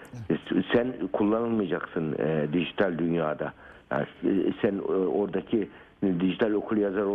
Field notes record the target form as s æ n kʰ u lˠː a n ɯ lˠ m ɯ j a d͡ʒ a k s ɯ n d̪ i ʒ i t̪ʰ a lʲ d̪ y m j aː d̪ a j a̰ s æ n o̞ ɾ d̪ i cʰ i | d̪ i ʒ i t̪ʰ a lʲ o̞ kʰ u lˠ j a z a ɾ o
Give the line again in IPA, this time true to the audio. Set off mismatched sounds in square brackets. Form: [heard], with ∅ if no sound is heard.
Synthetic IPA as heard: s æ n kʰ u lˠː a n ɯ lˠ m ɯ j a d͡ʒ a k s ɯ n d̪ i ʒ i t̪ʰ a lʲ d̪ y [n] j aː d̪ a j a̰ s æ n o̞ ɾ d̪ [a] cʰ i | d̪ i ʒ i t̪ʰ a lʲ o̞ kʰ u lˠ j a z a ɾ o